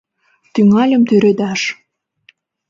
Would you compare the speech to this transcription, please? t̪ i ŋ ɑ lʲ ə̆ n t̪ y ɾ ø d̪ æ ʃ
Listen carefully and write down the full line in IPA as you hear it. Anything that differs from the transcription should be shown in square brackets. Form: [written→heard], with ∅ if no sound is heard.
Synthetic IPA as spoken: t̪ [i→y] ŋ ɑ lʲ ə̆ [n→m] t̪ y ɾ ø d̪ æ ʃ